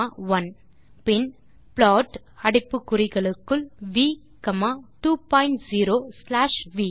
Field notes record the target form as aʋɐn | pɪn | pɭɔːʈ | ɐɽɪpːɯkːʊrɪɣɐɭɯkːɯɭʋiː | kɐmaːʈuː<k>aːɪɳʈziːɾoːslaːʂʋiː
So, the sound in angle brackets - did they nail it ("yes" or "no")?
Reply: no